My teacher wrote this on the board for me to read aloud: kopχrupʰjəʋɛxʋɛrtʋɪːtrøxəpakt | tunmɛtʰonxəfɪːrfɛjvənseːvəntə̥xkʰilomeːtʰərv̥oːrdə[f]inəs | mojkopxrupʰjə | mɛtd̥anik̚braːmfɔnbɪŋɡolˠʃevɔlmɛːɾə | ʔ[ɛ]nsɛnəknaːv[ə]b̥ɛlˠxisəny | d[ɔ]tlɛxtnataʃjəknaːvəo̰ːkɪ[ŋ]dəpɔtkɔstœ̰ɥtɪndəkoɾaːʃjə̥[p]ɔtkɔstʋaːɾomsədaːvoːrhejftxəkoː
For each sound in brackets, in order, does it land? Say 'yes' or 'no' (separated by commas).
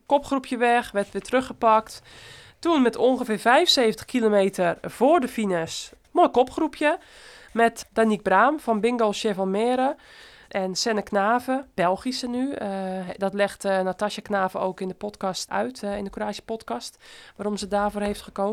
yes, yes, yes, yes, no, yes